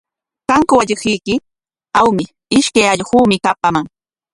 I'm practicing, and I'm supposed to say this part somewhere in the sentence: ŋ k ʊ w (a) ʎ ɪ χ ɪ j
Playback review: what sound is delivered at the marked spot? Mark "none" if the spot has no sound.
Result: a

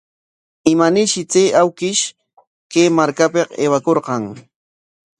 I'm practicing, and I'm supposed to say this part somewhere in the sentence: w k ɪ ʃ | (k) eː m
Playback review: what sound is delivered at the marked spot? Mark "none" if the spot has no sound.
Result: k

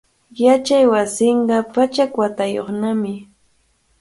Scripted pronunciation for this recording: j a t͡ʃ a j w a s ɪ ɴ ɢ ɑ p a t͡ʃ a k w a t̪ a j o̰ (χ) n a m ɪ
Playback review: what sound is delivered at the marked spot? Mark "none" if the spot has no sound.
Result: χ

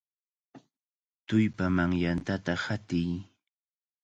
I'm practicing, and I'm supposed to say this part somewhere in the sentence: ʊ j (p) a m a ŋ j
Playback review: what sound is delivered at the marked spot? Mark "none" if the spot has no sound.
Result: p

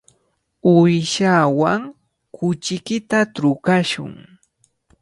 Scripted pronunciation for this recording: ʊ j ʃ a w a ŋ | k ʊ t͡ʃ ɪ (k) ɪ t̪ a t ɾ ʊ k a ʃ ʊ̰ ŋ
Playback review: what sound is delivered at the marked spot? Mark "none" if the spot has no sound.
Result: k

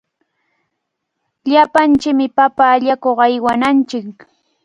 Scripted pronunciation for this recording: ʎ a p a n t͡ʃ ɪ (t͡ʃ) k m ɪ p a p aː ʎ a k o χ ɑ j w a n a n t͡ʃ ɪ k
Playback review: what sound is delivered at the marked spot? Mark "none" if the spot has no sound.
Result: none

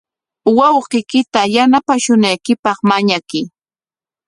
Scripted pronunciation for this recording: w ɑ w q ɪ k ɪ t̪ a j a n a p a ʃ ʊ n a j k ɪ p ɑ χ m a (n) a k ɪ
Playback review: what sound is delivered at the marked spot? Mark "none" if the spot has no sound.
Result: ɲ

